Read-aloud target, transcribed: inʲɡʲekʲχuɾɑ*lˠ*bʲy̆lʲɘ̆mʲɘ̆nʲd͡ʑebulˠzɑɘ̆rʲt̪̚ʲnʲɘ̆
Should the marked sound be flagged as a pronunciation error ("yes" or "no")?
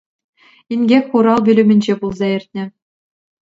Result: no